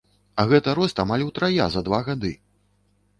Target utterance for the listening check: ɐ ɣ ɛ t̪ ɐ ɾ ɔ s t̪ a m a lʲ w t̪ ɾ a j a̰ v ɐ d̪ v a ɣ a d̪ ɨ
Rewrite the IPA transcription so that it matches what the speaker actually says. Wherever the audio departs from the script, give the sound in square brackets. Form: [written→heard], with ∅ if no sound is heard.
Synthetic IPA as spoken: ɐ ɣ ɛ t̪ ɐ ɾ ɔ s t̪ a m a lʲ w t̪ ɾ a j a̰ [v→z] ɐ d̪ v a ɣ a d̪ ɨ

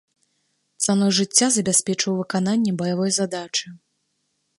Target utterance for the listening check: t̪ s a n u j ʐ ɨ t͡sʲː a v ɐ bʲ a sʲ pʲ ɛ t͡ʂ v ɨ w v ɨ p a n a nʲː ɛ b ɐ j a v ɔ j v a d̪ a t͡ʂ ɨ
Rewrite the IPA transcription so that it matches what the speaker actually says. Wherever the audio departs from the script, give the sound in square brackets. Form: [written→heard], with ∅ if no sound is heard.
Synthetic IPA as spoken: t̪ s a n [u→ɔ] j ʐ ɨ t͡sʲː a [v→z] ɐ bʲ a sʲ pʲ ɛ t͡ʂ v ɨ w v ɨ [p→k] a n a nʲː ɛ b ɐ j a v ɔ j [v→z] a d̪ a t͡ʂ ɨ

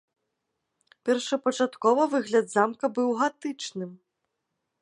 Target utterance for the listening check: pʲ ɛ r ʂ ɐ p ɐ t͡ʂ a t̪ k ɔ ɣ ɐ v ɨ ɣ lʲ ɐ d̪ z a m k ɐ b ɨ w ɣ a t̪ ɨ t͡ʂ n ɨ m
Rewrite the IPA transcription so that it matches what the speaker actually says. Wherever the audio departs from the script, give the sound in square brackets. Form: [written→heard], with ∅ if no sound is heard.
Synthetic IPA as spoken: pʲ ɛ r ʂ ɐ p ɐ t͡ʂ a t̪ k ɔ [ɣ→v] ɐ v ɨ ɣ lʲ ɐ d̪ z a m k ɐ b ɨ w ɣ a t̪ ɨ t͡ʂ n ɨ m

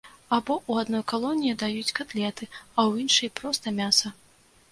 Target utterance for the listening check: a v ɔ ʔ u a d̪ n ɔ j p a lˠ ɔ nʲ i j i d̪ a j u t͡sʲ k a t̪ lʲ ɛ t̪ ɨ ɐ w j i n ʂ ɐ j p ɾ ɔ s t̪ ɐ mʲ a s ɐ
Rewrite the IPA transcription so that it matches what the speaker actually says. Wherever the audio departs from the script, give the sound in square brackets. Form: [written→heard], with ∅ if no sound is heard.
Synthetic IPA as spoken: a [v→b] ɔ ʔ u a d̪ n ɔ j [p→k] a lˠ ɔ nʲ i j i d̪ a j u t͡sʲ k a t̪ lʲ ɛ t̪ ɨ ɐ w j i n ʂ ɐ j p ɾ ɔ s t̪ ɐ mʲ a s ɐ

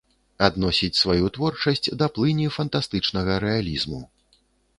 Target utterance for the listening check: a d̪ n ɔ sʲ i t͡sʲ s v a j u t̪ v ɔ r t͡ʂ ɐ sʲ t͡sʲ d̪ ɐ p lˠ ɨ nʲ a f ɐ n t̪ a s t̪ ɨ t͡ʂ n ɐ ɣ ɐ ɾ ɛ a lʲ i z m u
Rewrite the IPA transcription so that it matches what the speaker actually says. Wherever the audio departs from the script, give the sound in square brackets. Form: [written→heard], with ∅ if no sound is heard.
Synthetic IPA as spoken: a d̪ n ɔ sʲ i t͡sʲ s v a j u t̪ v ɔ r t͡ʂ ɐ sʲ t͡sʲ d̪ ɐ p lˠ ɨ nʲ [a→i] f ɐ n t̪ a s t̪ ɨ t͡ʂ n ɐ ɣ ɐ ɾ ɛ a lʲ i z m u

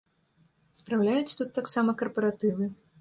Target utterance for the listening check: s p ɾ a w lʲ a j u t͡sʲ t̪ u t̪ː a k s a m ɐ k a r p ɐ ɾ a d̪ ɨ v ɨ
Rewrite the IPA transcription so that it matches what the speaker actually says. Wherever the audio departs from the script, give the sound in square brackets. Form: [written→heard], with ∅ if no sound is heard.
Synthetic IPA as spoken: s p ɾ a w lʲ a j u t͡sʲ t̪ u t̪ː a k s a m ɐ k [a→ɐ] r p ɐ ɾ a [d̪→t̪] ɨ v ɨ

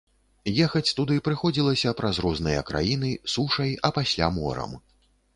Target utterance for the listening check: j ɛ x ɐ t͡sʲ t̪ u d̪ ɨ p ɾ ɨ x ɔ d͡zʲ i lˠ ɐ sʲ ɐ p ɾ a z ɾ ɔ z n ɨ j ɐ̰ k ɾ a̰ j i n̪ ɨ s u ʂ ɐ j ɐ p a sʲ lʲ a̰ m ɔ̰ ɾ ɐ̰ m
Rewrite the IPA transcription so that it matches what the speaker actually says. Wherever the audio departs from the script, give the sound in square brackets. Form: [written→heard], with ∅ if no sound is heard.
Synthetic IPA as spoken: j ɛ x ɐ t͡sʲ t̪ u d̪ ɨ p ɾ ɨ x ɔ d͡zʲ i lˠ ɐ sʲ ɐ p ɾ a z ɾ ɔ z n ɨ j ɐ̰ k ɾ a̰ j i n̪ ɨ s u ʂ ɐ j ɐ p a sʲ lʲ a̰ m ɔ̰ ɾ ɐ̰ m

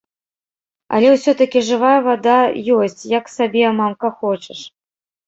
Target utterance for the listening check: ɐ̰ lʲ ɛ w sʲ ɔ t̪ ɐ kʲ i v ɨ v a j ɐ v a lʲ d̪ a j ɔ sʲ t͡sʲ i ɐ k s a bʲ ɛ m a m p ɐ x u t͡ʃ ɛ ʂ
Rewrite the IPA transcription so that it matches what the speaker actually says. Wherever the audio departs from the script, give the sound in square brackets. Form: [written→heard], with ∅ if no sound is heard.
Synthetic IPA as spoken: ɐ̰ lʲ ɛ w sʲ ɔ t̪ ɐ kʲ i [v→ʐ] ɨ v a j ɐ v a [lʲ→∅] d̪ a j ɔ sʲ t͡sʲ [i→j] ɐ k s a bʲ ɛ m a m [p→k] ɐ x [u→ɔ] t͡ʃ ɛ ʂ

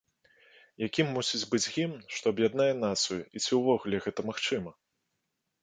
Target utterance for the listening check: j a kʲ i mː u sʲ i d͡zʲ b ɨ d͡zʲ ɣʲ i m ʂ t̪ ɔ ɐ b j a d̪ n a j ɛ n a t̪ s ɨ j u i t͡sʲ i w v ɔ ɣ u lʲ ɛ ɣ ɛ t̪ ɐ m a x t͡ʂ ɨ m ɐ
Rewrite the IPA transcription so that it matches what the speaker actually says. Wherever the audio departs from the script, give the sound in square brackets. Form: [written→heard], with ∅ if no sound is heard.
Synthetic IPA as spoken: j a kʲ i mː u sʲ i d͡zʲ b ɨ d͡zʲ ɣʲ i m ʂ t̪ ɔ ɐ b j a d̪ n a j ɛ n a t̪ s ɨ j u i t͡sʲ i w v ɔ ɣ u lʲ ɛ ɣ ɛ t̪ ɐ m a x t͡ʂ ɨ m ɐ

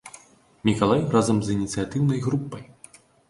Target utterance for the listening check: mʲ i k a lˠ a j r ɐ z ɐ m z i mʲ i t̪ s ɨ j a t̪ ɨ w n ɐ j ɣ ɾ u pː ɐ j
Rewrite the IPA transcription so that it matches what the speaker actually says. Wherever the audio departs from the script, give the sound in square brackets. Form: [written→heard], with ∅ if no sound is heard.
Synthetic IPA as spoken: mʲ i k a lˠ a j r [ɐ→a] z ɐ m z i [mʲ→nʲ] i t̪ s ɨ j a t̪ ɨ w n ɐ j ɣ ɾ u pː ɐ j

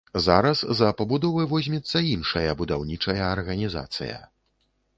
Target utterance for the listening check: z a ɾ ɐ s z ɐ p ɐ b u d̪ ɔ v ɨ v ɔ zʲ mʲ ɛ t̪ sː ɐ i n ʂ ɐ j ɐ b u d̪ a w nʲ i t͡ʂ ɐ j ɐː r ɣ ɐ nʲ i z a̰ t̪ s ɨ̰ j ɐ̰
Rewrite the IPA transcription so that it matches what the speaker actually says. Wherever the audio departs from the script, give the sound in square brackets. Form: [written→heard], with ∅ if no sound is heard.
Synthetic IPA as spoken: z a ɾ ɐ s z ɐ p ɐ b u d̪ ɔ v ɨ v ɔ zʲ mʲ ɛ t̪ sː ɐ i n ʂ ɐ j ɐ b u d̪ a w nʲ i t͡ʂ ɐ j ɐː r ɣ ɐ nʲ i z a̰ t̪ s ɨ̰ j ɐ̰

